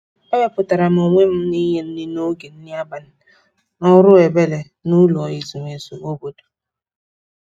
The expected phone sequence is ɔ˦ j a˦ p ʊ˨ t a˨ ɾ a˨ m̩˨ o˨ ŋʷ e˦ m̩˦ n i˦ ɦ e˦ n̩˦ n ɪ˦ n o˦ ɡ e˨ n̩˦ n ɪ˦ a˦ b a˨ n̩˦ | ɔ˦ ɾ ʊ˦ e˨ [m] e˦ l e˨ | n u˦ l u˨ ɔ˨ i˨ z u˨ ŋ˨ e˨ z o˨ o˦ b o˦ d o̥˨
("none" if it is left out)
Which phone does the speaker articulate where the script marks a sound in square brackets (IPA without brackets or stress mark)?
b